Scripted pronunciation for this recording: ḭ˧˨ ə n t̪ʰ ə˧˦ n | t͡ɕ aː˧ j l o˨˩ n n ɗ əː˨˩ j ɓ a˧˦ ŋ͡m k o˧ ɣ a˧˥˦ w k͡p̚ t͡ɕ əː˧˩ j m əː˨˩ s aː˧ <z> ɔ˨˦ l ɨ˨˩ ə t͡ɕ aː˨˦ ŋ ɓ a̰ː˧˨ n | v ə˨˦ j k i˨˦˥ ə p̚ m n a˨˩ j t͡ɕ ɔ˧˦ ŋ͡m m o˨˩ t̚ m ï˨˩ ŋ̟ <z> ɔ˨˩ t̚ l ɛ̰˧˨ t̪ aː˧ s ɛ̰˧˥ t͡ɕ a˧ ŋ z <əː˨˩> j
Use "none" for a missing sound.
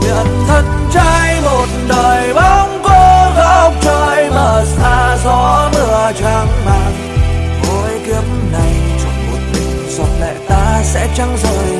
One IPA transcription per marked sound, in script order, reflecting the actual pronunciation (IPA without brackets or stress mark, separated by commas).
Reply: z, z, əː˨˩